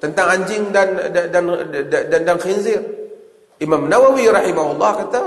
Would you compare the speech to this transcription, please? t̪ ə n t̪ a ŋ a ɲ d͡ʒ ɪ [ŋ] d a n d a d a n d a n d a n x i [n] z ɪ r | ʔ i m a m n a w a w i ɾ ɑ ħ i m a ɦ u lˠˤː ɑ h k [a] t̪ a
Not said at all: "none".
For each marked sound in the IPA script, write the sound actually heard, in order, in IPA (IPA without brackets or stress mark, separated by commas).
ŋ, n, a